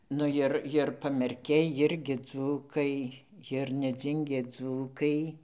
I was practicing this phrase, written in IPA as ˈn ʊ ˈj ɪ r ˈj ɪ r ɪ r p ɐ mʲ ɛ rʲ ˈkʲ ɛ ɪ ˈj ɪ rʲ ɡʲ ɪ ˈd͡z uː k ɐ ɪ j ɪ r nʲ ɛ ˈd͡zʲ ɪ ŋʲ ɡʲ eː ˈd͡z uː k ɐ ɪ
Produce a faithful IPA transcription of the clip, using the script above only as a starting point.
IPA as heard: ˈn ʊ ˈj ɪ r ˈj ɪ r ɪ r p ɐ mʲ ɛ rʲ ˈkʲ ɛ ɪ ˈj ɪ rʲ ɡʲ ɪ ˈd͡z uː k ɐ ɪ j ɪ r nʲ ɛ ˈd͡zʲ ɪ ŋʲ ɡʲ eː ˈd͡z uː k ɐ ɪ